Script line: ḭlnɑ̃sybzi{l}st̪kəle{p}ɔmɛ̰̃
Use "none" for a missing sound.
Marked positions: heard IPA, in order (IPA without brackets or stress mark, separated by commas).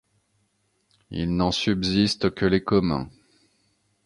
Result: none, k